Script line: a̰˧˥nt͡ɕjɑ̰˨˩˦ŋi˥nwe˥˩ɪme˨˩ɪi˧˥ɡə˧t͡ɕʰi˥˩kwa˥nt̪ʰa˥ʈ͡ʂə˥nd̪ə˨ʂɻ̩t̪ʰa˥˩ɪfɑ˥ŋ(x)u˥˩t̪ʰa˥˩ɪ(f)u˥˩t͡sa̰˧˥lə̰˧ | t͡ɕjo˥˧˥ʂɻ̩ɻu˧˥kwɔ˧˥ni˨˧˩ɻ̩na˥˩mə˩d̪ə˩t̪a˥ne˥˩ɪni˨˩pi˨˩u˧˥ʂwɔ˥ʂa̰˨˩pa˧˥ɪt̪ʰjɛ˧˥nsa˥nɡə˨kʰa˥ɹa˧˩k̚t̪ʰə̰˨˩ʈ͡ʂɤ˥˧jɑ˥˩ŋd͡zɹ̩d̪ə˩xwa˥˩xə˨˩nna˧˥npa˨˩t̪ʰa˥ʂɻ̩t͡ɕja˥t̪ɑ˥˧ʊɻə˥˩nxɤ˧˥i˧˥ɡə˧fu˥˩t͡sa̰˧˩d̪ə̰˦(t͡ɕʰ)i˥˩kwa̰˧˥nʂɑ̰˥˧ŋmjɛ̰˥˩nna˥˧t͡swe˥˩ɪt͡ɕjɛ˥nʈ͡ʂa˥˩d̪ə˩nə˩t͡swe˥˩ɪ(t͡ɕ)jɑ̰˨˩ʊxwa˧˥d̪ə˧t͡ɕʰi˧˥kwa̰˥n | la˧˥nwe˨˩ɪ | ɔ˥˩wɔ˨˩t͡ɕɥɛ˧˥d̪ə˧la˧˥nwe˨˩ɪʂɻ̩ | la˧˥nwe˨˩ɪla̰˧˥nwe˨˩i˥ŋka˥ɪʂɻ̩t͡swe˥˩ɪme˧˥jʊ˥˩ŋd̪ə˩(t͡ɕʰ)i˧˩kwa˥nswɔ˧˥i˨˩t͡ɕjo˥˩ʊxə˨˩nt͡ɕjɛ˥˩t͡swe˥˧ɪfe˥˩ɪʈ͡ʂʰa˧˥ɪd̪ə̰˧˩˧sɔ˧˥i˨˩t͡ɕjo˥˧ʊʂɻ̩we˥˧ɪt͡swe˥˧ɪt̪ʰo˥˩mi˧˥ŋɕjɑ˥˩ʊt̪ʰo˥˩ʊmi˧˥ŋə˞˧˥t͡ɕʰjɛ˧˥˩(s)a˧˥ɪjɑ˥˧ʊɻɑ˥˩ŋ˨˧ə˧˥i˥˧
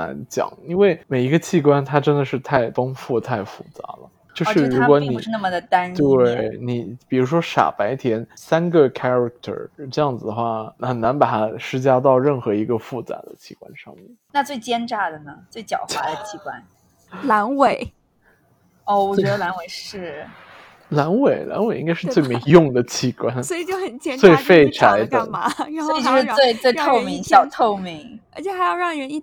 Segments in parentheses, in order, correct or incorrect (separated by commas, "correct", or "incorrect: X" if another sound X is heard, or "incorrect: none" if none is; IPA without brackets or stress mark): incorrect: f, correct, correct, correct, correct, incorrect: x